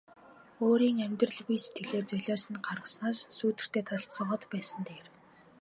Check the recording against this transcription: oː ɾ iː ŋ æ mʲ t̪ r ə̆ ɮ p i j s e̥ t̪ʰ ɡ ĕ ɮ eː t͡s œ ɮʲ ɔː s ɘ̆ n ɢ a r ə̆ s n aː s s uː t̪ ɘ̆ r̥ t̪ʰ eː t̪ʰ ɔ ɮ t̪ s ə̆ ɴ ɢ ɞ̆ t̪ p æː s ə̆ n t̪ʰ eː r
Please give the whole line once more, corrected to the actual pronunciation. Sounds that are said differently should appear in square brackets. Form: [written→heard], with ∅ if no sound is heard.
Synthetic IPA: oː ɾ iː ŋ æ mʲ t̪ r ə̆ ɮ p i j s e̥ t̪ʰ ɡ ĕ ɮ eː t͡s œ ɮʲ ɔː s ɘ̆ n ɢ a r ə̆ s n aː s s uː t̪ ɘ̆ r̥ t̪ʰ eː t̪ʰ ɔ ɮ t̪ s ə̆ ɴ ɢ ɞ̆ t̪ p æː s ə̆ n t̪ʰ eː r